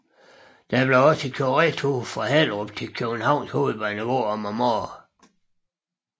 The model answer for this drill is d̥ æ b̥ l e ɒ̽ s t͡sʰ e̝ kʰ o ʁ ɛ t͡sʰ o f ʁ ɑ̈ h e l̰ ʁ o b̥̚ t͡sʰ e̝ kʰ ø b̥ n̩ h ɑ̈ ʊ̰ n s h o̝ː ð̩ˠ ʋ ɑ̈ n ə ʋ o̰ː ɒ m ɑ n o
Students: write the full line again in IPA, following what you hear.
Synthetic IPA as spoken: d̥ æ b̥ l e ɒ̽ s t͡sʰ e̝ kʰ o ʁ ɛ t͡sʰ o f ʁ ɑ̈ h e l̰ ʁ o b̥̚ t͡sʰ e̝ kʰ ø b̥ n̩ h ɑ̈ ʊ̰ n s h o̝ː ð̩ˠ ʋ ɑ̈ n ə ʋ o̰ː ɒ m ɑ m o